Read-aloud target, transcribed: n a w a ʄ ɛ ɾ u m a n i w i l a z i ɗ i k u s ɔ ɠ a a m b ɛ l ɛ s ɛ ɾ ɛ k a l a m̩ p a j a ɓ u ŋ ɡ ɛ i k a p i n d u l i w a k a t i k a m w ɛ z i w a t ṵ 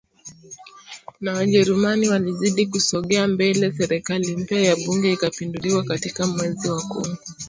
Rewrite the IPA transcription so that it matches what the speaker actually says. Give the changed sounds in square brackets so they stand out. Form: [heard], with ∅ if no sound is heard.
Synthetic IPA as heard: n a w a ʄ ɛ ɾ u m a n i w [a] l [i] z i ɗ i k u s ɔ ɠ [ɛ] a m b ɛ l ɛ s ɛ ɾ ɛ k a l [i] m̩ p a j a ɓ u ŋ ɡ ɛ i k a p i n d u l i w a k a t i k a m w ɛ z i w a [k] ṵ